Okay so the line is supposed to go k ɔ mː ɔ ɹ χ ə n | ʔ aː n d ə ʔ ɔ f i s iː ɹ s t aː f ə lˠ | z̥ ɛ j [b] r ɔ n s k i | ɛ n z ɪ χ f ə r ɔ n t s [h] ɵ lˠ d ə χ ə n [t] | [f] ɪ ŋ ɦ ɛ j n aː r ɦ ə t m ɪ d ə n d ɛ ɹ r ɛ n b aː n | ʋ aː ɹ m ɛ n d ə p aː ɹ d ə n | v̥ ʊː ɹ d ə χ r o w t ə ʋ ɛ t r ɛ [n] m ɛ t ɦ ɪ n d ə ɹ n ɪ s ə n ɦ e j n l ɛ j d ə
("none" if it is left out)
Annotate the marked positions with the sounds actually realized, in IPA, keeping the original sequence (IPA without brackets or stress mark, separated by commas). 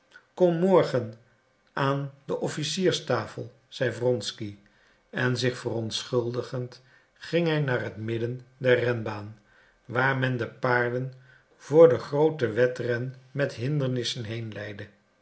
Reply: v, χ, t, χ, n